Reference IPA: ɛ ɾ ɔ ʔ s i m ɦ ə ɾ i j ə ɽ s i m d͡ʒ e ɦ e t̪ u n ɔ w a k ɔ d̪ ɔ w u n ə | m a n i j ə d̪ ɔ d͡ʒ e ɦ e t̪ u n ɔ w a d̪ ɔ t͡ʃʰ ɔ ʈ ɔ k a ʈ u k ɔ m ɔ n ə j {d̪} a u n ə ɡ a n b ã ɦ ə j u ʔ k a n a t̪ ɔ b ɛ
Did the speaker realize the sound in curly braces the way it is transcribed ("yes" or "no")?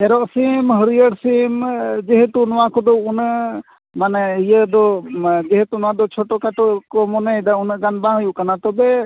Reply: yes